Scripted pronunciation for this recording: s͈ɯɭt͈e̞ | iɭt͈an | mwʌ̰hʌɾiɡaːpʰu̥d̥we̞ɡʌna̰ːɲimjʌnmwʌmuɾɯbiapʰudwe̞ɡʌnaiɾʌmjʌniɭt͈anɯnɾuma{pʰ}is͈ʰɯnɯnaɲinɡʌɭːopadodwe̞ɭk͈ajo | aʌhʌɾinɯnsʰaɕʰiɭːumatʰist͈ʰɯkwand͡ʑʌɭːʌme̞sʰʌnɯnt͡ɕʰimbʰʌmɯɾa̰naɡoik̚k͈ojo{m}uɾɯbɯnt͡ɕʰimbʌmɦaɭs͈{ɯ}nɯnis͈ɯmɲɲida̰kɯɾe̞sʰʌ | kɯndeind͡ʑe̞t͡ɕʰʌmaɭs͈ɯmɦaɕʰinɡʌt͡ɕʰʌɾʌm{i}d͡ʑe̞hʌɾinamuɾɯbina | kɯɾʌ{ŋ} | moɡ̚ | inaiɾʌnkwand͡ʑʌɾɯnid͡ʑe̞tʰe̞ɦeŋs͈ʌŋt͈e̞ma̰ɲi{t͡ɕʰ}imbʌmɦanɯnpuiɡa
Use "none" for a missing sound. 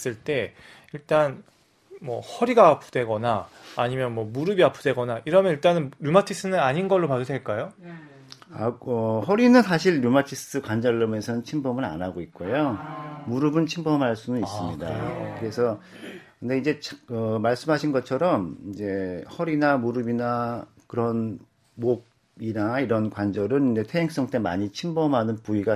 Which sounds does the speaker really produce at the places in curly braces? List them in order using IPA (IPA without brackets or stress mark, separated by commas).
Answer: tʰ, m, u, i, n, t͡ɕʰ